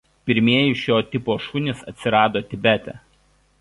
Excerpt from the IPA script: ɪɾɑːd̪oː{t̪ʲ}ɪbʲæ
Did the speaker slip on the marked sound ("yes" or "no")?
no